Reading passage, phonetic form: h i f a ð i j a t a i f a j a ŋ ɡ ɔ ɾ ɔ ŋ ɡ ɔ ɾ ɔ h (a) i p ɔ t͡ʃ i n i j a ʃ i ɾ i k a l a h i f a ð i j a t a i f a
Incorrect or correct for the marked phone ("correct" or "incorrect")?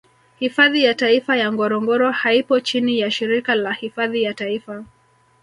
correct